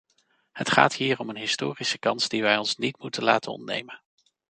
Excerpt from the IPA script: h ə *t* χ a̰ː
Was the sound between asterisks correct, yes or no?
yes